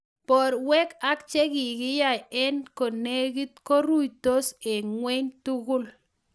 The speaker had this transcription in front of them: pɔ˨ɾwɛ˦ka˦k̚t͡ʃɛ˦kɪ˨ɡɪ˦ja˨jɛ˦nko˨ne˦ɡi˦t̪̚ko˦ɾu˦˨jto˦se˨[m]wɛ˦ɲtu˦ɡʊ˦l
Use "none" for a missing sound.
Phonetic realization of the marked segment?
ŋ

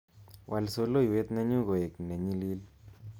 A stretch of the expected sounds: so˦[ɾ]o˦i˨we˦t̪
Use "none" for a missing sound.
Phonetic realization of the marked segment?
l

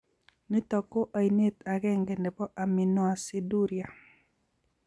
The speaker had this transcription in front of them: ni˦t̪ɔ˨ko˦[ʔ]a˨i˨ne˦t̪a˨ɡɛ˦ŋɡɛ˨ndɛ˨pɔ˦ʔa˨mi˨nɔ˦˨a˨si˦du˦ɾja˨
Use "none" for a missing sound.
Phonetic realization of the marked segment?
ʔ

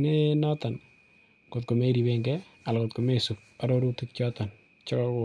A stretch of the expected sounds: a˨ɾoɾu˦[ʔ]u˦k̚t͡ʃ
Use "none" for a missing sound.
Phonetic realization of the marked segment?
t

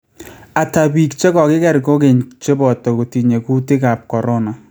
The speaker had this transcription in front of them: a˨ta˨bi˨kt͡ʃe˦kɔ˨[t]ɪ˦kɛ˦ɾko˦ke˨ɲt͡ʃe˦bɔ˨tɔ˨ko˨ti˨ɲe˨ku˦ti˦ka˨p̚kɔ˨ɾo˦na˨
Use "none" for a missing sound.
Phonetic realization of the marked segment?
k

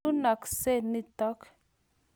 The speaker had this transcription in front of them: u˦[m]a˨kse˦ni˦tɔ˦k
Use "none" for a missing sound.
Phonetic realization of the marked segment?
n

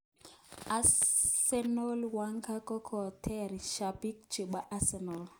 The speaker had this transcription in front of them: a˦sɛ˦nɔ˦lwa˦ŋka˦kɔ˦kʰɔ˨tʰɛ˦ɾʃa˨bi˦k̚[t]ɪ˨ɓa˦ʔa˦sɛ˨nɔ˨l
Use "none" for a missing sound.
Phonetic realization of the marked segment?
t͡ʃ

